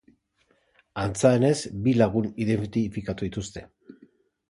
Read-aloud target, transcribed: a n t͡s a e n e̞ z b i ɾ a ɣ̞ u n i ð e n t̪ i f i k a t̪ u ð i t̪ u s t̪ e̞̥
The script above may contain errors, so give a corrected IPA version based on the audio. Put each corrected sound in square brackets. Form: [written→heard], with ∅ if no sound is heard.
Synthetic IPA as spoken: a n t͡s a e n e̞ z b i [ɾ→l] a ɣ̞ u n i ð e n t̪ i f i k a t̪ u ð i t̪ u s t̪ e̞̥